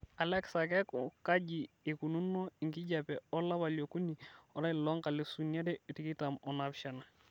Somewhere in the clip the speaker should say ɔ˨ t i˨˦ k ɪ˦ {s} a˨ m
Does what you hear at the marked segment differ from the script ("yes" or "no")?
yes